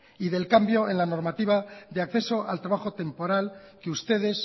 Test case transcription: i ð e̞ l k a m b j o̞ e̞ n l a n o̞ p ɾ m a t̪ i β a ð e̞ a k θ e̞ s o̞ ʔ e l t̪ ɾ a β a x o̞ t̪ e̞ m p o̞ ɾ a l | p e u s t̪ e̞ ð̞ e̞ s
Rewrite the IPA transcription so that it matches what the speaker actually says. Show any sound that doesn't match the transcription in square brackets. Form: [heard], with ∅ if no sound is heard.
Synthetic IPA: i ð e̞ l k a m b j o̞ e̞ n l a n o̞ [∅] ɾ m a t̪ i β a ð e̞ a k θ e̞ s o̞ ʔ [a] l t̪ ɾ a β a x o̞ t̪ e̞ m p o̞ ɾ a l | [k] e u s t̪ e̞ ð̞ e̞ s